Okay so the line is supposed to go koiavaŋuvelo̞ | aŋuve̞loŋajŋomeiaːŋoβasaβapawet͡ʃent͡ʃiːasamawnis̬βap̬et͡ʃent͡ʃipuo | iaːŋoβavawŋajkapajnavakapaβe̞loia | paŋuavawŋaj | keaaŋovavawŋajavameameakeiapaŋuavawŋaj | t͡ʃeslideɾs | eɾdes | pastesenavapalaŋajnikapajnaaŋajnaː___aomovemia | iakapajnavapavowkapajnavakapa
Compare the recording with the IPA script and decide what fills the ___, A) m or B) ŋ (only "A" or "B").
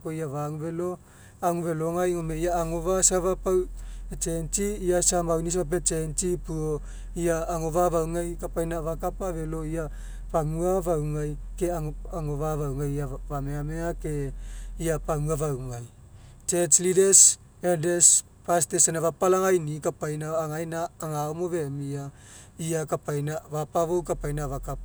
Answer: B